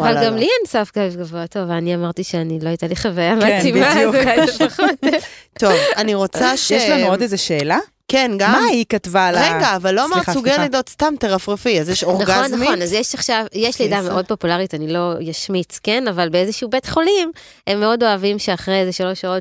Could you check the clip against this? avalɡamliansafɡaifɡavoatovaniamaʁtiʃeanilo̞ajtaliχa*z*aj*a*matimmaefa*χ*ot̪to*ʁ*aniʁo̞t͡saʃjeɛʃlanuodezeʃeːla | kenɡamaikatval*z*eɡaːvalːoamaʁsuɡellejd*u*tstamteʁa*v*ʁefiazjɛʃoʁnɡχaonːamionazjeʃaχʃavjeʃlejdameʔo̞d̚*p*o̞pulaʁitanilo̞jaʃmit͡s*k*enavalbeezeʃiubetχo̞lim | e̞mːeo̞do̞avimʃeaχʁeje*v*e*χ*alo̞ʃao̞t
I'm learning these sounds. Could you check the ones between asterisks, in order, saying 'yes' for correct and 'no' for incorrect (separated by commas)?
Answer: no, yes, yes, no, no, no, no, yes, yes, no, no